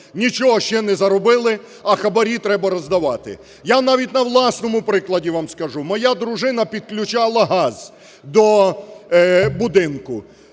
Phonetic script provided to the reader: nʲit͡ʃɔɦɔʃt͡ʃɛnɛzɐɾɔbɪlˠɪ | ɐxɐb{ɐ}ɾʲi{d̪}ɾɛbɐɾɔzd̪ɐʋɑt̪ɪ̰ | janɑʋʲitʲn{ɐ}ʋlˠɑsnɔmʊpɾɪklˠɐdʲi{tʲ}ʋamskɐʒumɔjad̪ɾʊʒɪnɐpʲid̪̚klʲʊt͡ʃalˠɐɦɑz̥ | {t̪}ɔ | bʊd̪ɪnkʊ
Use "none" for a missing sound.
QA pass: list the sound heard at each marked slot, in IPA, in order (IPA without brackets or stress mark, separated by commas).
ɐ, t̪, ɐ, none, d̪